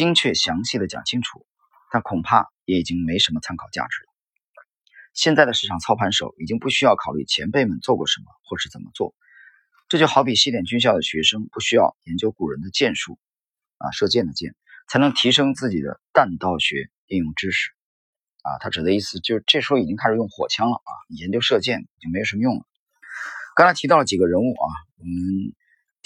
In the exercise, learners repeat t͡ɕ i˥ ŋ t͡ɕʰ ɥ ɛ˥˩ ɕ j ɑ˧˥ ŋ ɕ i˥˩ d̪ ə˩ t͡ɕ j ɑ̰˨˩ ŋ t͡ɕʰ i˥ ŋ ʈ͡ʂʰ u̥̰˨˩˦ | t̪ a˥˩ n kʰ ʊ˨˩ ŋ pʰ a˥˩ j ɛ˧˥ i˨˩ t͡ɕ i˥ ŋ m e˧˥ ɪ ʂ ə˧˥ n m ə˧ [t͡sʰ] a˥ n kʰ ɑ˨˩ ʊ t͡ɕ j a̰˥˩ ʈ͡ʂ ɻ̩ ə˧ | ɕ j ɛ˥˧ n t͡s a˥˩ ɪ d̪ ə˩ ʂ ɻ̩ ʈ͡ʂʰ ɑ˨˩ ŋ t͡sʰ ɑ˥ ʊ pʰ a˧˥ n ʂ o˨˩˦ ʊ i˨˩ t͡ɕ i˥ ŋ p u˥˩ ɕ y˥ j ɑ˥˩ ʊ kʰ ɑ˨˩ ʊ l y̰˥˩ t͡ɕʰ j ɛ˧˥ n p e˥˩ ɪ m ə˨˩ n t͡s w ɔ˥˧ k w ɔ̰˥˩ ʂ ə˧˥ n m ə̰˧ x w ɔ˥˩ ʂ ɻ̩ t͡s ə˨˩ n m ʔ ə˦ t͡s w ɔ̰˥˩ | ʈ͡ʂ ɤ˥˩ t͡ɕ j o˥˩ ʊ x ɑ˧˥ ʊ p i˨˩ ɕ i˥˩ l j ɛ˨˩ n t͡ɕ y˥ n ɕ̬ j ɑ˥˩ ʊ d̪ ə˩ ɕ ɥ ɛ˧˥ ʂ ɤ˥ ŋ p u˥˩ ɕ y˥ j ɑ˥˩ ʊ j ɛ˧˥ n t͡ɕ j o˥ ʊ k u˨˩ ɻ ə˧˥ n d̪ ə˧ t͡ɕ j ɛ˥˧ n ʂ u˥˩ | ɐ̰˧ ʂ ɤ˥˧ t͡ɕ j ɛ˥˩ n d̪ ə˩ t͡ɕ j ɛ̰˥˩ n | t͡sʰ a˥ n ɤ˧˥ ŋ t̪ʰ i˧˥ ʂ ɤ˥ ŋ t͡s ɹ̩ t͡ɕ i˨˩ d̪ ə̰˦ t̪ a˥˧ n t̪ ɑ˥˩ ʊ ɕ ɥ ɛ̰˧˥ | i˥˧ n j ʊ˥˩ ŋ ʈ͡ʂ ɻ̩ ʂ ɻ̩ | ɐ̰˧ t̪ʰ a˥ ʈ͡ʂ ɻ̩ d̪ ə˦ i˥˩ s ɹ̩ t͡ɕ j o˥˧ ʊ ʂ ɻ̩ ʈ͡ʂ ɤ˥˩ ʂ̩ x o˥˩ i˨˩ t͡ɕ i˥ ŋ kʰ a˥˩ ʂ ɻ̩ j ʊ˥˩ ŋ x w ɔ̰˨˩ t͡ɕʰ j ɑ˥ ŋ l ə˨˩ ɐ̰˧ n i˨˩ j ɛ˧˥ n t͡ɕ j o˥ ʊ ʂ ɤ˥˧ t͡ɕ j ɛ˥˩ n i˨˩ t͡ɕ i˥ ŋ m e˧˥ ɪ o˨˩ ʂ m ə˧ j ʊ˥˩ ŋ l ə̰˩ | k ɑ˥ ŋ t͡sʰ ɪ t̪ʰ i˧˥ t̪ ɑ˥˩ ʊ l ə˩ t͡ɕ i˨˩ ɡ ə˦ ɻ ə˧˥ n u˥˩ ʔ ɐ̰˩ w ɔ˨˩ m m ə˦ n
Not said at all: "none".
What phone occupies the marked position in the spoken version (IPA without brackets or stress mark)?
t͡sʰ